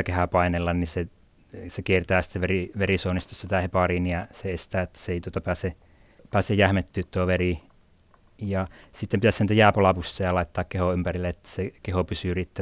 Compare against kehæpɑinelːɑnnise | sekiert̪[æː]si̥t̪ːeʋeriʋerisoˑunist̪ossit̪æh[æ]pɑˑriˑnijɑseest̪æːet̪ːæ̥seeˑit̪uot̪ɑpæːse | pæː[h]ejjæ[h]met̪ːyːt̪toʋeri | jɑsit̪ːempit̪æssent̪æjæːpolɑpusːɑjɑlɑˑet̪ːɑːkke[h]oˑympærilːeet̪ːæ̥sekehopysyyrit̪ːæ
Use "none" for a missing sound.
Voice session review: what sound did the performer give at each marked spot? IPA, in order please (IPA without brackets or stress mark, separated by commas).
æː, e, s, h, h